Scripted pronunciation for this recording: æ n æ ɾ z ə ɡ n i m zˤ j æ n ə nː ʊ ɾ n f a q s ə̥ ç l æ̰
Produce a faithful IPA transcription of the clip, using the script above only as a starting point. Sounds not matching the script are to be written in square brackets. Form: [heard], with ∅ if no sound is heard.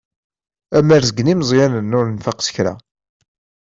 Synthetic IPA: æ [m] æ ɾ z ə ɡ n i m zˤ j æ n ə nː ʊ ɾ n f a q s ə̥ ç [ɾ] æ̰